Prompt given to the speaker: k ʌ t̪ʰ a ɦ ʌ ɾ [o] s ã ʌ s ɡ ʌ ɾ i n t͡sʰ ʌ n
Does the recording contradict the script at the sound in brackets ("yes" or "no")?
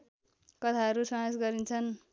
yes